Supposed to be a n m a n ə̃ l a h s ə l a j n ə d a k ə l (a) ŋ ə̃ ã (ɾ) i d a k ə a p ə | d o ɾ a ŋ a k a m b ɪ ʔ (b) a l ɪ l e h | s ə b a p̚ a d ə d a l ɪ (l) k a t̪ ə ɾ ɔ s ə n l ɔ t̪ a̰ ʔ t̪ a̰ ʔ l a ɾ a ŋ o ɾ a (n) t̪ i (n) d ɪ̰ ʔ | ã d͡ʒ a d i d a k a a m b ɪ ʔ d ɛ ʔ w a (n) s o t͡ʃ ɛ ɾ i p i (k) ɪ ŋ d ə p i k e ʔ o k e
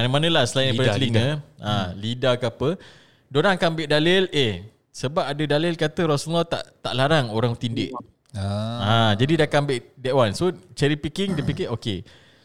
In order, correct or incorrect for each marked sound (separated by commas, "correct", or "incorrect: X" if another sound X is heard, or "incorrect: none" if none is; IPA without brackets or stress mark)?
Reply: incorrect: i, incorrect: l, incorrect: d, correct, incorrect: ŋ, correct, correct, correct